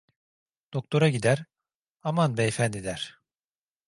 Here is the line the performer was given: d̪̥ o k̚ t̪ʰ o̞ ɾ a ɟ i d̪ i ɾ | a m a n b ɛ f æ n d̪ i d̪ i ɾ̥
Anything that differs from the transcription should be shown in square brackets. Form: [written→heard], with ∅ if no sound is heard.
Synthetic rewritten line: d̪̥ o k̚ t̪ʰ o̞ ɾ a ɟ i d̪ [i→æ] ɾ | a m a n b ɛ f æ n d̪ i d̪ [i→æ] ɾ̥

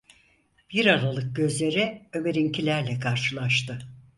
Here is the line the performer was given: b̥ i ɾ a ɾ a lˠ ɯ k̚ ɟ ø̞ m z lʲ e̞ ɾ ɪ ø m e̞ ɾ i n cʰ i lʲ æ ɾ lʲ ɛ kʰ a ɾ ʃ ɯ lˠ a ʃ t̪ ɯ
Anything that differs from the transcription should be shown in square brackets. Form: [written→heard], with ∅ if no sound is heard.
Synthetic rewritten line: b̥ i ɾ a ɾ a lˠ ɯ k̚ ɟ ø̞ [m→∅] z lʲ e̞ ɾ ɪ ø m e̞ ɾ i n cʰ i lʲ æ ɾ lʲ ɛ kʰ a ɾ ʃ ɯ lˠ a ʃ t̪ ɯ

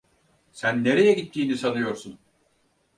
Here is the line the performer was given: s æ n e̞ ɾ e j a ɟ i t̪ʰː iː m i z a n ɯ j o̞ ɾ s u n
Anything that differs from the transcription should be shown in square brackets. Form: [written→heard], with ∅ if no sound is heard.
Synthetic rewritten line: s æ [n→nː] e̞ ɾ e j [a→ɛ] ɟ i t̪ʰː iː [m→n] i [z→s] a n ɯ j o̞ ɾ s u n

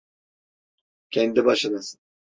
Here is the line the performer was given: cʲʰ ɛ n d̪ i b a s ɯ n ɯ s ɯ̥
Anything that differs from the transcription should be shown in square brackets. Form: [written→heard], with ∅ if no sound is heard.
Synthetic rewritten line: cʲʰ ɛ n d̪ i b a [s→ʃ] ɯ n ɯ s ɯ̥

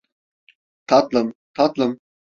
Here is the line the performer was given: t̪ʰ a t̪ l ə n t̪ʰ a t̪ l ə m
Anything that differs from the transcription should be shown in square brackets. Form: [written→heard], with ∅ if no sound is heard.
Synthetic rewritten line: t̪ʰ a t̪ l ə [n→m] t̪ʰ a t̪ l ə m

